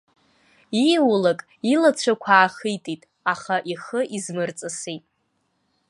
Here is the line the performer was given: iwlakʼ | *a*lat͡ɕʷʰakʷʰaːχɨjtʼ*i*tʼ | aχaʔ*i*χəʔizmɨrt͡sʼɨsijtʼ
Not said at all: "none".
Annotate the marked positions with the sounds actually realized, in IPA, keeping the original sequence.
i, i, i

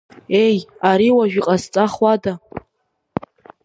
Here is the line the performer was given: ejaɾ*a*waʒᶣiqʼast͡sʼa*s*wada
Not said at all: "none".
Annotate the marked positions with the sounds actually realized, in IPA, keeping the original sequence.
i, χ

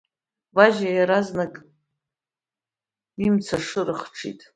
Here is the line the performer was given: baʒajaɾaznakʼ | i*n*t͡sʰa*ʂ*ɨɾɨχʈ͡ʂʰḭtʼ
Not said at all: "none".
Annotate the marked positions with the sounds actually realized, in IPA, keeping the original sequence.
m, ʂ

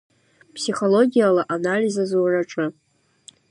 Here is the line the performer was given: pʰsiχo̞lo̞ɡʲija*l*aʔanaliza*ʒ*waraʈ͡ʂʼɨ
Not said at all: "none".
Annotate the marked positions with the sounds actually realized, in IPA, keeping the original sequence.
l, z

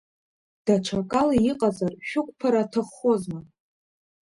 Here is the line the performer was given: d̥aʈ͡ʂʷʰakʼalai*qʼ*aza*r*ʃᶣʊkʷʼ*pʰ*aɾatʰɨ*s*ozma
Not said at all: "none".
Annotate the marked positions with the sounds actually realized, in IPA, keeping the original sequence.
qʼ, r, pʰ, χ

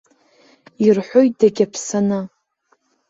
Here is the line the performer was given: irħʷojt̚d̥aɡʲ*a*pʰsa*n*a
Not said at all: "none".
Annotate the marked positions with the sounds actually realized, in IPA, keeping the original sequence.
a, n

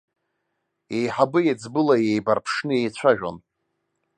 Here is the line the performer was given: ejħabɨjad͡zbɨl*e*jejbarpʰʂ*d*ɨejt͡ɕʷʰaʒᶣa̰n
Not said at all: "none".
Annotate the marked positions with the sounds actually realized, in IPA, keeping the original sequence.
a, n

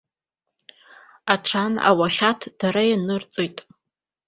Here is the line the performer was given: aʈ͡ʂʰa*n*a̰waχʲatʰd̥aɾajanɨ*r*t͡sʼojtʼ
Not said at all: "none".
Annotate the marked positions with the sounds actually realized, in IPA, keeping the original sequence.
n, r

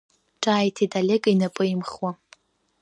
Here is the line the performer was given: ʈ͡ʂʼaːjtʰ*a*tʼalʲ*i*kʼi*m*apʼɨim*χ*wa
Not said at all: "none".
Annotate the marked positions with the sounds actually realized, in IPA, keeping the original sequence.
i, e, n, χ

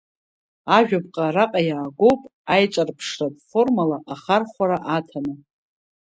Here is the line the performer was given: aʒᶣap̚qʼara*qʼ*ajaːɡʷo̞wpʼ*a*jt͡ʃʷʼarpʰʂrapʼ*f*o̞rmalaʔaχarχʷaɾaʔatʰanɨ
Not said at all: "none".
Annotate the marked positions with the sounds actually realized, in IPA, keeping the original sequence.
qʼ, a, f

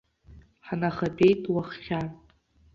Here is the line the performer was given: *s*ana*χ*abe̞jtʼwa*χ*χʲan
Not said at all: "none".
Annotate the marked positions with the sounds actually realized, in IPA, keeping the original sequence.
ħ, χ, χ

